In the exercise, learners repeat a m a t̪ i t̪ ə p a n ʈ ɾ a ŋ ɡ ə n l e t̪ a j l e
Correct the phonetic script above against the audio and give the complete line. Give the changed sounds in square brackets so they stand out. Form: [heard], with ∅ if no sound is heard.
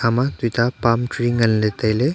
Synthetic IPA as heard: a m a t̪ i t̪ [a] p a [m] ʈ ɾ [i] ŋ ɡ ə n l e t̪ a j l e